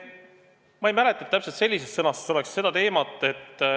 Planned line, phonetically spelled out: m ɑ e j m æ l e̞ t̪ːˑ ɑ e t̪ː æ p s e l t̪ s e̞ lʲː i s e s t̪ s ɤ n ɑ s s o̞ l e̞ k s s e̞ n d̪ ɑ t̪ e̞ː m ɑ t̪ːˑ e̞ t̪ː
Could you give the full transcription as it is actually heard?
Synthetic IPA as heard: m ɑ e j m æ l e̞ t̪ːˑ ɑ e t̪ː æ p s e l t̪ s e̞ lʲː i s e s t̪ s ɤ n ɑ s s o̞ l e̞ k s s e̞ d̪ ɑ t̪ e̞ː m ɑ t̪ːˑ e̞ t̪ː